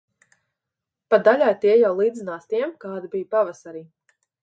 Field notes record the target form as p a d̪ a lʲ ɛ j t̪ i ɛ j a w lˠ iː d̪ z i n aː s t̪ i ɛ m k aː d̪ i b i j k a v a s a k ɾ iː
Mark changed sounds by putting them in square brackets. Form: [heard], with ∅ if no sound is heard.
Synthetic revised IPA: p a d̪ a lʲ [a] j t̪ i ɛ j a w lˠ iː d̪ z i n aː s t̪ i ɛ m k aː d̪ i b i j [p] a v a s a [∅] ɾ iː